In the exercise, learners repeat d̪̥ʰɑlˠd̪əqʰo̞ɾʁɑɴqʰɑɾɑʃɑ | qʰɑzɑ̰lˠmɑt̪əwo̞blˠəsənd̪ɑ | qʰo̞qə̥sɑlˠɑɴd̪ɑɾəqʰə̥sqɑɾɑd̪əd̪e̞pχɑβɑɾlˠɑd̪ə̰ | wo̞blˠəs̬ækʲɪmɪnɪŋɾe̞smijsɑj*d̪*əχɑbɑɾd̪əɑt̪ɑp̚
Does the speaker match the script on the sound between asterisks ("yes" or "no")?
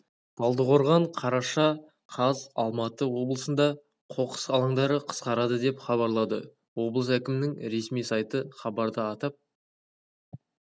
no